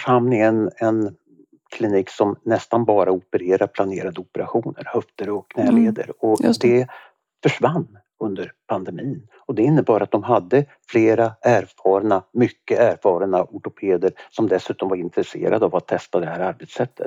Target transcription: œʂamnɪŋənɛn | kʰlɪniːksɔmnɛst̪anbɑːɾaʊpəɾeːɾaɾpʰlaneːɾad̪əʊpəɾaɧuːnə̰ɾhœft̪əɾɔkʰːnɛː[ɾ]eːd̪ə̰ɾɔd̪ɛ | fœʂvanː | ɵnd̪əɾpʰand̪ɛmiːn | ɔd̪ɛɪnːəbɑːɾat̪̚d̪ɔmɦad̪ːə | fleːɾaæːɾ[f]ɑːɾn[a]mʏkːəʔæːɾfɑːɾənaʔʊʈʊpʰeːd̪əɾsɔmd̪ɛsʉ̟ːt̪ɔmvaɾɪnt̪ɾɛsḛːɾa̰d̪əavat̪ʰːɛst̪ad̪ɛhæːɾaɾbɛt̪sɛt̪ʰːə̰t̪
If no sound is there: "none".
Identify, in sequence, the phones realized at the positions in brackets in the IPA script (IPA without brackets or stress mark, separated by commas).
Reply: l, f, a